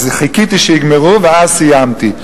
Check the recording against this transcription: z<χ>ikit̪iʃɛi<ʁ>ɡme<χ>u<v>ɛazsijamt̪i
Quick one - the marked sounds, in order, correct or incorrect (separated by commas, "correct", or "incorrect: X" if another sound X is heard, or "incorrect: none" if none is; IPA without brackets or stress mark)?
correct, incorrect: none, incorrect: ʁ, correct